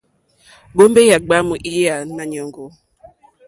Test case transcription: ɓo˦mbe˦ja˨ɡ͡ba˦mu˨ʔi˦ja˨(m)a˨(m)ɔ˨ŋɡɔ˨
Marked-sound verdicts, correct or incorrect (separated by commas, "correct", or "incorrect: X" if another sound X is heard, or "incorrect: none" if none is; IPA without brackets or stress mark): incorrect: n, incorrect: ɲ